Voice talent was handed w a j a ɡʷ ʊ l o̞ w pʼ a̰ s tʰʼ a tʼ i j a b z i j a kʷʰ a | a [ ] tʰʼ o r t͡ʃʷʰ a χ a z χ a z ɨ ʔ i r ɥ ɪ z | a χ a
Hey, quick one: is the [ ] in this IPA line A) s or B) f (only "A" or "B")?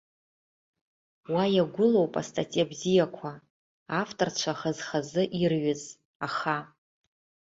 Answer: B